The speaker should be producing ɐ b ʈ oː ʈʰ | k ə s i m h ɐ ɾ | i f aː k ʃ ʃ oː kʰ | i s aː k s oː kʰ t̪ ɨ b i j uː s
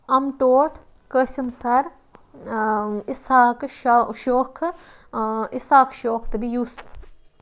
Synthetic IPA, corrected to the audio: ɐ m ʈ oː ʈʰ | k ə s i m s ɐ ɾ | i s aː k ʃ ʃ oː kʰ | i s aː k ʃ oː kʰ t̪ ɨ b i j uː s